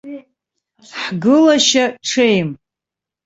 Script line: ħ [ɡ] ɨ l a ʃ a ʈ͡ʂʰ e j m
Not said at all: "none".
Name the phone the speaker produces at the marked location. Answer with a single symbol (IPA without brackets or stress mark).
ɡ